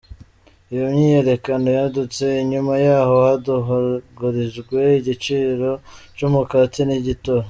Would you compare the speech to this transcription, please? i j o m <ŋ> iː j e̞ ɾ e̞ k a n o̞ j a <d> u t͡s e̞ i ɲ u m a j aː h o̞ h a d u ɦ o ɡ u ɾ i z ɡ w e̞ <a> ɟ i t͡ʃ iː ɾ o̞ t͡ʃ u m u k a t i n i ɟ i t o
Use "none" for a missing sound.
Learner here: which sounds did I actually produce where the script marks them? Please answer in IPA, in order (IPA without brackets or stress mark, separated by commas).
ɲ, d, i